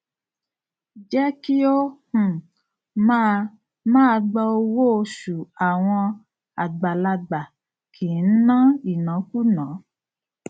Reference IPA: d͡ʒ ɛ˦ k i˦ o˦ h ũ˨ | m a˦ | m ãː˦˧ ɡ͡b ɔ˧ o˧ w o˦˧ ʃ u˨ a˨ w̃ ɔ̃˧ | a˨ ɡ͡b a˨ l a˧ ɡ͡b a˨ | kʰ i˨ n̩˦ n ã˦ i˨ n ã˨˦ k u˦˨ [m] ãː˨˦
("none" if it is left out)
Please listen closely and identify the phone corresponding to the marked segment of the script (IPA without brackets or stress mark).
n